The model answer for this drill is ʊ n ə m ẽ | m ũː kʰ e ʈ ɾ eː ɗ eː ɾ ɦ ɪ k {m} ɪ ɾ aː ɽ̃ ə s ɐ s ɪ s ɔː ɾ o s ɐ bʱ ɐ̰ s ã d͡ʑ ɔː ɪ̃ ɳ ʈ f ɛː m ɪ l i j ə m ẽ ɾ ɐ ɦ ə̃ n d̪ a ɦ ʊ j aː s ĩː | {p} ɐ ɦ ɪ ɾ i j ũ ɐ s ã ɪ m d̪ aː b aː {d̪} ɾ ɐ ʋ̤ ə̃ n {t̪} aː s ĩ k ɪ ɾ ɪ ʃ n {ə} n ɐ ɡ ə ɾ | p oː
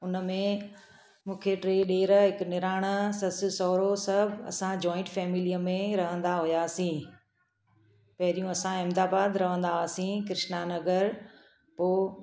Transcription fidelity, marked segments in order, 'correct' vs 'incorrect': incorrect, correct, correct, incorrect, incorrect

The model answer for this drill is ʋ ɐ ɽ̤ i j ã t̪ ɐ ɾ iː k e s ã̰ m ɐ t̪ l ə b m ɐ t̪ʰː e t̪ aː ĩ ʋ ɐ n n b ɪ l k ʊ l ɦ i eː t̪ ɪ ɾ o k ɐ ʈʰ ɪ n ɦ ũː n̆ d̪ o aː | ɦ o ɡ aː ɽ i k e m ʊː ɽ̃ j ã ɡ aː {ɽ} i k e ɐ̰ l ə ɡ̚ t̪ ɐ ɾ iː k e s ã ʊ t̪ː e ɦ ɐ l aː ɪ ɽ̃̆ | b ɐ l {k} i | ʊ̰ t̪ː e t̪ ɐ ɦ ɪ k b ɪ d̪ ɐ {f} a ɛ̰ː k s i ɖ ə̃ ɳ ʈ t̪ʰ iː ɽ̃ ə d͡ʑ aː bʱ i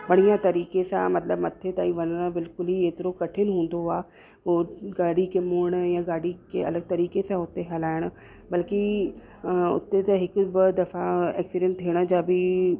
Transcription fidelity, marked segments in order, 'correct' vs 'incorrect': correct, correct, correct

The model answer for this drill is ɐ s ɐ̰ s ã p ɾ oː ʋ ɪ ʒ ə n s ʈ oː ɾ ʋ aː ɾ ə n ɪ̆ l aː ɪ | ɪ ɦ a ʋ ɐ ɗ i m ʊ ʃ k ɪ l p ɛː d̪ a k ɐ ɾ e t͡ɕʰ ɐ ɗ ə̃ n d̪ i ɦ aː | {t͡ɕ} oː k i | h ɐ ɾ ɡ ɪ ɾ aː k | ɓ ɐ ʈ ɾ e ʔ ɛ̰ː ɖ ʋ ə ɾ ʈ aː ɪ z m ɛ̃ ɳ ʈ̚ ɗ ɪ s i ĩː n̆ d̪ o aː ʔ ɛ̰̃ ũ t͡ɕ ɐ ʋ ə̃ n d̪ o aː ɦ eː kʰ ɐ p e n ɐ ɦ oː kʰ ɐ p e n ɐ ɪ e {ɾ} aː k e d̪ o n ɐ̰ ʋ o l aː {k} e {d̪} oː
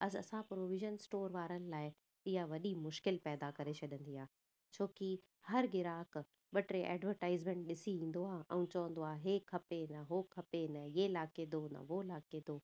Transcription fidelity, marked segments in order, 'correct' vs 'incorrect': incorrect, incorrect, correct, correct

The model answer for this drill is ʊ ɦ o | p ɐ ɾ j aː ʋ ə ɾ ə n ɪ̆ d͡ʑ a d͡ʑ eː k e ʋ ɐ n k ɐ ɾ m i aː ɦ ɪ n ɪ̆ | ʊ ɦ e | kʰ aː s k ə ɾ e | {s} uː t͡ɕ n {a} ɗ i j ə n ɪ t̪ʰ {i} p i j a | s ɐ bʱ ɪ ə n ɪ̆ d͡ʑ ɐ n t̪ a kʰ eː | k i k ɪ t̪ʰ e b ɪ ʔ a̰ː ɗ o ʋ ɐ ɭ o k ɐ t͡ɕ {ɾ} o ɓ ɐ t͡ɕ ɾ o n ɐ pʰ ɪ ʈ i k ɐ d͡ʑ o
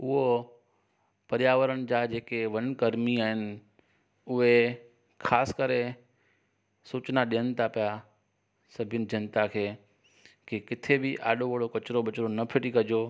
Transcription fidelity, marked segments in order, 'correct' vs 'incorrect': correct, correct, incorrect, correct

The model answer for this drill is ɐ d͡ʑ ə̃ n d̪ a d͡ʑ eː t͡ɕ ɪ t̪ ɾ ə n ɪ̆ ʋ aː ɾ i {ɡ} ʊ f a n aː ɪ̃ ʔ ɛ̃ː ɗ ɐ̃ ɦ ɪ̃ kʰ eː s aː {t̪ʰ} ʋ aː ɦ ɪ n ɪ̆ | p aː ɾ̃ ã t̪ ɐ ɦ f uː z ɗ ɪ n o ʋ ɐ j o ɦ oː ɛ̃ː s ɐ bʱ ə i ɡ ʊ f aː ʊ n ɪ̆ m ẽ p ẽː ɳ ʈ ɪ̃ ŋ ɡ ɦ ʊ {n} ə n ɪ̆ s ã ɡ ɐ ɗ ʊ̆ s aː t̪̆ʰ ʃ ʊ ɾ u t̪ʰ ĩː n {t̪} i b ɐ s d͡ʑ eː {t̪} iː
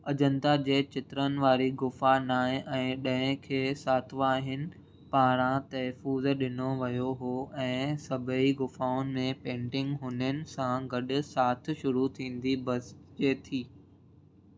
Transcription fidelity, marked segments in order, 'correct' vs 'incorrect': correct, correct, correct, incorrect, incorrect

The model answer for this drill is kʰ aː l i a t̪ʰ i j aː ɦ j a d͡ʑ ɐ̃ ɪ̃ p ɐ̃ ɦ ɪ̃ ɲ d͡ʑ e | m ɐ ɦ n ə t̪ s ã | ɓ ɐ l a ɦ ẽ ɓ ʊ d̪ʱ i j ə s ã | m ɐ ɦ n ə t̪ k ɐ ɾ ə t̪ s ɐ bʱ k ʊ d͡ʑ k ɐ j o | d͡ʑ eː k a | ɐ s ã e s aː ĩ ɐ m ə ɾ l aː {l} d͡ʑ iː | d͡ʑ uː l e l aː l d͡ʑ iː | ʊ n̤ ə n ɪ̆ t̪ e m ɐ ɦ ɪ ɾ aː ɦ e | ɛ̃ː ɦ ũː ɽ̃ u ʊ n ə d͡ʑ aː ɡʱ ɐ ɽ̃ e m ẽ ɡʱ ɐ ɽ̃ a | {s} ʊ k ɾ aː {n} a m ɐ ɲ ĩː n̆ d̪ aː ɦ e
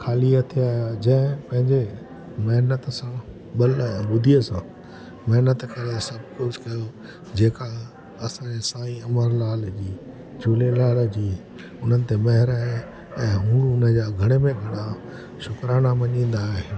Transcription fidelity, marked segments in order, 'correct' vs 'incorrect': correct, incorrect, correct

